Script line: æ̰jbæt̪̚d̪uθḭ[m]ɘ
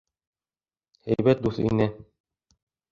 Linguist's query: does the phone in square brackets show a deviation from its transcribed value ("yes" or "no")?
yes